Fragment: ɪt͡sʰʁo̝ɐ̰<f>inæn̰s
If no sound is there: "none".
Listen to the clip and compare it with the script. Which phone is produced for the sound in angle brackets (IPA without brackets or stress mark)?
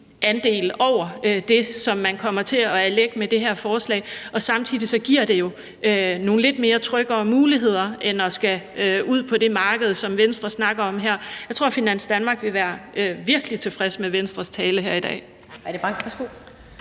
f